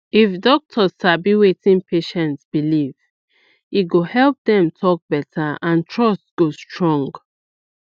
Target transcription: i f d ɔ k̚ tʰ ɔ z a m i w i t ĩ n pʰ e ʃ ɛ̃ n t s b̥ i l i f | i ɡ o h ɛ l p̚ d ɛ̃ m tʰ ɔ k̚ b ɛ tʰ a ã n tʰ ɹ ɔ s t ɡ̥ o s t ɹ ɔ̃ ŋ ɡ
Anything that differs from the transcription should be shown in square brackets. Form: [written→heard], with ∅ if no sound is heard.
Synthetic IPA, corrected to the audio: i f d ɔ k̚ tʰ ɔ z a [m→b] i w [i→e] t ĩ n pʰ e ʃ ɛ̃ n t s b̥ i l i [f→v] | i ɡ o h ɛ l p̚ d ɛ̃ m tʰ ɔ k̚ b ɛ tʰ a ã n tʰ ɹ ɔ s t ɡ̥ o s t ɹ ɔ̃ ŋ ɡ